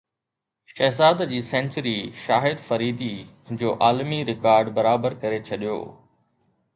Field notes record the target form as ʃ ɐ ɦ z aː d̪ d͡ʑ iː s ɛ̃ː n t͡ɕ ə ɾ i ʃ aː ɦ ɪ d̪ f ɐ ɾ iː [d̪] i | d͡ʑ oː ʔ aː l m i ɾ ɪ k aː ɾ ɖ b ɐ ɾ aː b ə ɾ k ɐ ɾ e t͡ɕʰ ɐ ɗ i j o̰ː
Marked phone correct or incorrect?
correct